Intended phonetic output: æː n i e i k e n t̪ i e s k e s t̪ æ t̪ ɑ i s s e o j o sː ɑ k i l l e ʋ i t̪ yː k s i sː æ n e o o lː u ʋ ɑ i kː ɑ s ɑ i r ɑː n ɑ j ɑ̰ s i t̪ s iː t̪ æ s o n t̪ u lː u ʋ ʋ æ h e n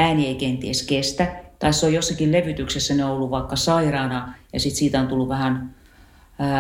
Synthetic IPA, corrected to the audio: æː n i e i k e n t̪ i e s k e s t̪ æ t̪ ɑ i s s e o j o sː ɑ k i l l e ʋ y t̪ y k s e sː æ n e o o lː u ʋ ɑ i kː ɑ s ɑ i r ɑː n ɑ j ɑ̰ s i t̪ s iː t̪ æ o n t̪ u lː u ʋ ʋ æ h æ n